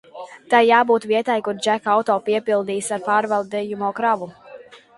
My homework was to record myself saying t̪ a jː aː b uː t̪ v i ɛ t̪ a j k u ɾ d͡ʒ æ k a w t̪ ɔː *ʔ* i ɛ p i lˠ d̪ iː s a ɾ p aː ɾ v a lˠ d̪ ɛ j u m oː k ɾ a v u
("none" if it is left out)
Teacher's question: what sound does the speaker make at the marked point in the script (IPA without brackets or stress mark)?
p